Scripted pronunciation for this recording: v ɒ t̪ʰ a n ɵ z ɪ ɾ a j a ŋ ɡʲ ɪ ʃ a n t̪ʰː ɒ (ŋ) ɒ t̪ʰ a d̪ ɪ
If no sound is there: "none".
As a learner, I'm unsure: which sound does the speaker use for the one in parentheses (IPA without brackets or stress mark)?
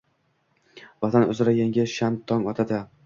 ŋ